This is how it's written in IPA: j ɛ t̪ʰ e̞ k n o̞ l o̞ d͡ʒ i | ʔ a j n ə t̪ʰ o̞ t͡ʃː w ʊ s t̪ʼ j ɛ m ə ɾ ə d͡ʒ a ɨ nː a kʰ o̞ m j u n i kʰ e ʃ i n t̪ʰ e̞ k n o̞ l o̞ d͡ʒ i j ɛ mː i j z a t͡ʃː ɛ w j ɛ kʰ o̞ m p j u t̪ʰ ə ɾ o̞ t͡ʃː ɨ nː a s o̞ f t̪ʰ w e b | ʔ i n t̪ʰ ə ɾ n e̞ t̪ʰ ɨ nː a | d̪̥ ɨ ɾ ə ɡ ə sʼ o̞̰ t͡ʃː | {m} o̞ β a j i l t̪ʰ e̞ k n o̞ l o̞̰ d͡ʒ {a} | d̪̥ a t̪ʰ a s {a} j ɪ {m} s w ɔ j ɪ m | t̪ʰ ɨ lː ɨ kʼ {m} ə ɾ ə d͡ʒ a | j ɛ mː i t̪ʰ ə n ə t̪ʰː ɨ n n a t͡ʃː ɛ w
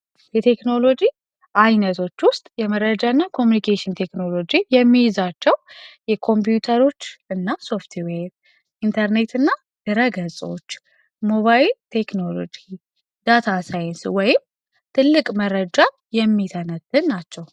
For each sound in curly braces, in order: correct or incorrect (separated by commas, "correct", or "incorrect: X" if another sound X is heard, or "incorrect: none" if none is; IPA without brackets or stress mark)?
correct, incorrect: i, correct, incorrect: n, correct